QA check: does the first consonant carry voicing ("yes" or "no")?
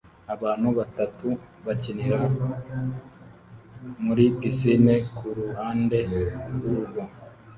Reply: yes